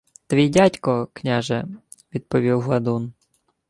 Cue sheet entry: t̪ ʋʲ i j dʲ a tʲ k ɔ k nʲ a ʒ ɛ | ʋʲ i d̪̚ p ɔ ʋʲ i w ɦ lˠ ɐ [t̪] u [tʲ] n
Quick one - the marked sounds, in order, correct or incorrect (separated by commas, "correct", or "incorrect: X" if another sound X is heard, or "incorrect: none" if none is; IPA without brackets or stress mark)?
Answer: incorrect: d̪, incorrect: none